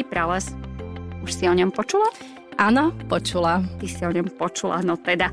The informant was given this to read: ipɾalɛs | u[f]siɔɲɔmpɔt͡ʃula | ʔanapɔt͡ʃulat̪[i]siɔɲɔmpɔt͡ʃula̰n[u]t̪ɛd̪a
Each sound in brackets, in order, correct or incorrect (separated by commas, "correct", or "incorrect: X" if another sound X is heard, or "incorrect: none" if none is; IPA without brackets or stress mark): incorrect: ʃ, correct, incorrect: ɔ